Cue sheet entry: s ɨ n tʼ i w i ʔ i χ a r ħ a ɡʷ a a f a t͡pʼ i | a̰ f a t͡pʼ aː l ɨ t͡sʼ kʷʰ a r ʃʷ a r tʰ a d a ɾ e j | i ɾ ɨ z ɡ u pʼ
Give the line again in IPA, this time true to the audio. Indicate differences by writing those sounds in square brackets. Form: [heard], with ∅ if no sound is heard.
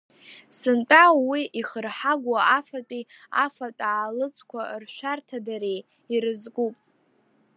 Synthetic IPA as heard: s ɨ n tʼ [a] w i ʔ i χ [ə] r ħ a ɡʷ a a f a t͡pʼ i | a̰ f a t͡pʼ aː l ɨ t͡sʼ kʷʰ a r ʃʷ a r tʰ a d a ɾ e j | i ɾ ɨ z ɡ u pʼ